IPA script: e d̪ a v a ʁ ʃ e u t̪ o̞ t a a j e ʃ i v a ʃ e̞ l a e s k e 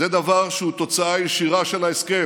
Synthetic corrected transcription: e d̪ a v a ʁ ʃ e u t̪ o̞ t͡s a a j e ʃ i ʁ a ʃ e̞ l a e s k e